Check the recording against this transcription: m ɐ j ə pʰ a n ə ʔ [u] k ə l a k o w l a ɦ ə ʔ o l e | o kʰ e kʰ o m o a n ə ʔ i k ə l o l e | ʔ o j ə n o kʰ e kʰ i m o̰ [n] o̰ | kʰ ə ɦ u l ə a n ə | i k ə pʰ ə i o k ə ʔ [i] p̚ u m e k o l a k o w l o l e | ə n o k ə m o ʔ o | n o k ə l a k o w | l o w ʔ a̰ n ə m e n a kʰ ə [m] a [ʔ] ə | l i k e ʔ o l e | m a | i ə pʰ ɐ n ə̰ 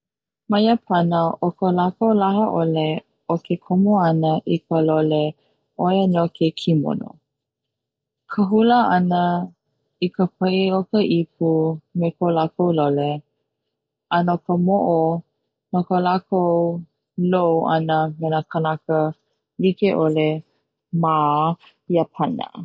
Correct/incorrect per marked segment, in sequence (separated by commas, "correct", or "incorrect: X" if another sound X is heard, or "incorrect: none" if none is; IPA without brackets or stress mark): incorrect: o, correct, correct, incorrect: n, incorrect: k